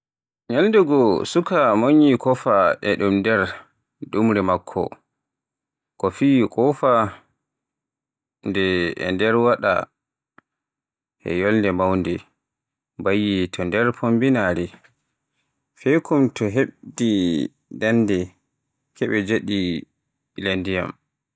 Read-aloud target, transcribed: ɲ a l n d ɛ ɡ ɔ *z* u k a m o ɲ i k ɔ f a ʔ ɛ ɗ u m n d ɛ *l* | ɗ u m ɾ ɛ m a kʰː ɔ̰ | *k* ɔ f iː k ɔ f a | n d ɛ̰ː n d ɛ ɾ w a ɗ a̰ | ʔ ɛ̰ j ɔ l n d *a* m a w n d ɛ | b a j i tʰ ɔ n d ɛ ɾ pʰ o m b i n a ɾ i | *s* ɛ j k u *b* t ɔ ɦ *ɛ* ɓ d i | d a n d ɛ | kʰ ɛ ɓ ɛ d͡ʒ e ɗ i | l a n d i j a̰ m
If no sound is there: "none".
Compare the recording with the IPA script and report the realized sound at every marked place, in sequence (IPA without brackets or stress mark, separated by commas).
s, ɾ, k, ɛ, f, m, e